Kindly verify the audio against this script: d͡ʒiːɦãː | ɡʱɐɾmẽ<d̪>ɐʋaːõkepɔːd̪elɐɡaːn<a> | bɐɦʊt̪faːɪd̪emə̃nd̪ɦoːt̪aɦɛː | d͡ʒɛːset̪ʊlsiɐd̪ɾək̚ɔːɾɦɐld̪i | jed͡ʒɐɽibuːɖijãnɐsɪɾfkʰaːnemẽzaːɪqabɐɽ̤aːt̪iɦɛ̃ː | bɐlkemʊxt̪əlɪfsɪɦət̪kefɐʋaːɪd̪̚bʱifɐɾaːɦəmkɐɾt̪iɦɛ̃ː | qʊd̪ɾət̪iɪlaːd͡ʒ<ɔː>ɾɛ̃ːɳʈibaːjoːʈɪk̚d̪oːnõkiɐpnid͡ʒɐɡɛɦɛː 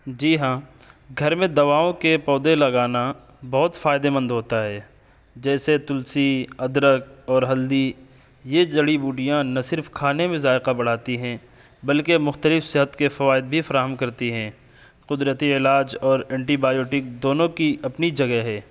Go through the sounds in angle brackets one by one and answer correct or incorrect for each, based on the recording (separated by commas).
correct, correct, correct